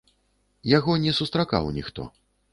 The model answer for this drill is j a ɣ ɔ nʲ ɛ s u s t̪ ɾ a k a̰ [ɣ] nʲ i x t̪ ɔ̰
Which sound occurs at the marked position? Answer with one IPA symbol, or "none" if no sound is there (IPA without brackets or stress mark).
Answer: w